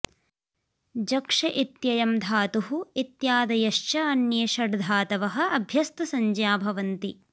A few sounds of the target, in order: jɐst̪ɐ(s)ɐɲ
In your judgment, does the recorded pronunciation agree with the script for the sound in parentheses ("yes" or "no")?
yes